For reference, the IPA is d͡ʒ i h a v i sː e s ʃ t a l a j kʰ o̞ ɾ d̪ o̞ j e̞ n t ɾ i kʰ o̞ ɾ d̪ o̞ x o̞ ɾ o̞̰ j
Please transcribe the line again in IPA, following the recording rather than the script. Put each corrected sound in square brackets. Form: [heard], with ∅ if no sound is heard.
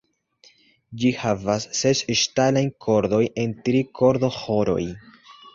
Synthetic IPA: d͡ʒ i h a v [a] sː e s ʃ t a l a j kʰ o̞ ɾ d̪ o̞ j e̞ n t ɾ i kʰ o̞ ɾ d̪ o̞ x o̞ ɾ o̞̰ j